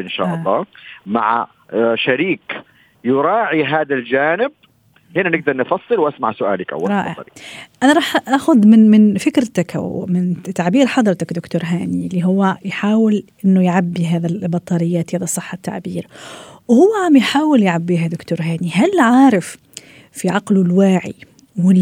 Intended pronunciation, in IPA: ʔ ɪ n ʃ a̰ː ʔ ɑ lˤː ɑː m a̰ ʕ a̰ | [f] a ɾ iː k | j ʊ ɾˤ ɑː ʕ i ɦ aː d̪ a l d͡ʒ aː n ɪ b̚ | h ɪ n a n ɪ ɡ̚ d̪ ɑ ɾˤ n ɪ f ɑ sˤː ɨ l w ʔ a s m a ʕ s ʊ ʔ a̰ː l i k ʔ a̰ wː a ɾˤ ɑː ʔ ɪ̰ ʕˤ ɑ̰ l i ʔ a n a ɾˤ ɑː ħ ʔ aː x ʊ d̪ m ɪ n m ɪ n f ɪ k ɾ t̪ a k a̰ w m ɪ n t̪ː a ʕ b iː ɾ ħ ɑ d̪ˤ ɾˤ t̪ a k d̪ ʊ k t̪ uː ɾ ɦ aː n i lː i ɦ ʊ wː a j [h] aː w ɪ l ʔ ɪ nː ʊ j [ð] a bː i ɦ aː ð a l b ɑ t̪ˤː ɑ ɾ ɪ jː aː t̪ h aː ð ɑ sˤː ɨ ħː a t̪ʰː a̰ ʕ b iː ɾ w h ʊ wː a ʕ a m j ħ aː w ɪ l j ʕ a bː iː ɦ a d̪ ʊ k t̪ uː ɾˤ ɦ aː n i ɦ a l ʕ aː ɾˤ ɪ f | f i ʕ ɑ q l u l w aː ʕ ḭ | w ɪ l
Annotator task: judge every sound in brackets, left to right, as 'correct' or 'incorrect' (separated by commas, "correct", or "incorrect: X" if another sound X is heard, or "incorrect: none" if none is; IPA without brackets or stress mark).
incorrect: ʃ, incorrect: ħ, incorrect: ʕ